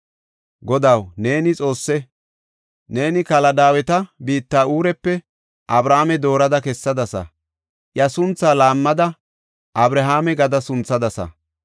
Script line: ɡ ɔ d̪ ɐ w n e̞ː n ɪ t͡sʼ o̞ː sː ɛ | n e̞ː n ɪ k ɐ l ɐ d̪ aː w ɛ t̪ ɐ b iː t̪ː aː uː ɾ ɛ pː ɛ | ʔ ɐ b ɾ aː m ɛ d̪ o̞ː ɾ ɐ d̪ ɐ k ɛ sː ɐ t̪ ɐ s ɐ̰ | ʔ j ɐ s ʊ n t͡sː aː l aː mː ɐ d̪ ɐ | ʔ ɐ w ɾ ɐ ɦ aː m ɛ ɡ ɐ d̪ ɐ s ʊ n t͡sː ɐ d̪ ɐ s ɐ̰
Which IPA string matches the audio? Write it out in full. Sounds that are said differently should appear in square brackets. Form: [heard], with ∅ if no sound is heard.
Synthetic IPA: ɡ ɔ d̪ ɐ w n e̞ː n ɪ t͡sʼ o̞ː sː ɛ | n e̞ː n ɪ k ɐ l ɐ d̪ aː w ɛ t̪ ɐ b iː t̪ː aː uː ɾ ɛ pː ɛ | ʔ ɐ b ɾ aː m ɛ d̪ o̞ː ɾ ɐ d̪ ɐ k ɛ sː ɐ [d̪] ɐ s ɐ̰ | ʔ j ɐ s ʊ n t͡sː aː l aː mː ɐ d̪ ɐ | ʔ ɐ [b] ɾ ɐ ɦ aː m ɛ ɡ ɐ d̪ ɐ s ʊ n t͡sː ɐ d̪ ɐ s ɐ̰

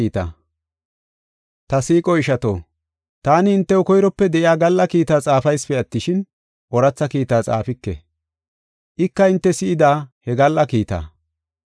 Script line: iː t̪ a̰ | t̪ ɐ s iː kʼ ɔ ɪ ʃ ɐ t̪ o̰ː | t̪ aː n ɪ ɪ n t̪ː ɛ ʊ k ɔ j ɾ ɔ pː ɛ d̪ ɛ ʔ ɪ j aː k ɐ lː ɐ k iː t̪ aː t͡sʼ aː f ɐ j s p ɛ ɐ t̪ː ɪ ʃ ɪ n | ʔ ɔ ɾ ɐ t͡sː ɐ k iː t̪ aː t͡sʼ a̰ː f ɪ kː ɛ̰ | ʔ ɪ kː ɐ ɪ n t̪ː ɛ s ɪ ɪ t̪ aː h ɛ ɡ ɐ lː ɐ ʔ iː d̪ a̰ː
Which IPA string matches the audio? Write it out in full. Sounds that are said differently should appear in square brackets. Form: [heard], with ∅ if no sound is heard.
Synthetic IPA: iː t̪ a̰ | t̪ ɐ s iː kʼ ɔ ɪ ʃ ɐ t̪ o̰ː | t̪ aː n ɪ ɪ n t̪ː ɛ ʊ k ɔ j ɾ ɔ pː ɛ d̪ ɛ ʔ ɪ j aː [ɡ] ɐ lː ɐ k iː t̪ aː t͡sʼ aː f ɐ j s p ɛ ɐ t̪ː ɪ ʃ ɪ n | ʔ ɔ ɾ ɐ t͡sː ɐ k iː t̪ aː t͡sʼ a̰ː f ɪ kː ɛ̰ | ʔ ɪ kː ɐ ɪ n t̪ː ɛ s ɪ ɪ [d̪] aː h ɛ ɡ ɐ lː ɐ [k] iː [t̪] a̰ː

